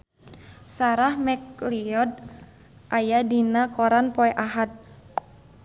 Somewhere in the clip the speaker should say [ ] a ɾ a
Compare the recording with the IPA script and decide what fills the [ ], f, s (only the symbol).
s